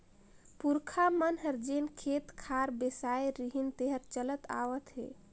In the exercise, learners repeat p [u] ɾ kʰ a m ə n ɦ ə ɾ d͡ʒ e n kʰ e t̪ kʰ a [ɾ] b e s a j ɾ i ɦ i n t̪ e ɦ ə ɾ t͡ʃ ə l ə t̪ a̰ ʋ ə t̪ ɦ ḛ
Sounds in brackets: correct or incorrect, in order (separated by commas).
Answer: correct, correct